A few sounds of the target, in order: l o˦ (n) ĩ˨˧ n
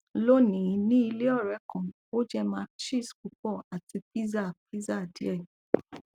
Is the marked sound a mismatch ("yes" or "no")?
no